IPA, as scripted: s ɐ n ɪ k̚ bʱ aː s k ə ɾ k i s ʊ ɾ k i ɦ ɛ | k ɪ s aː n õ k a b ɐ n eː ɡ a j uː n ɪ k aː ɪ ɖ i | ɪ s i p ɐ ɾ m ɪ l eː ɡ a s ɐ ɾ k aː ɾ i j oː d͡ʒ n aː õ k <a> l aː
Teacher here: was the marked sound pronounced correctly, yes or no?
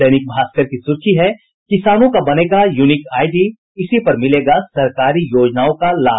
yes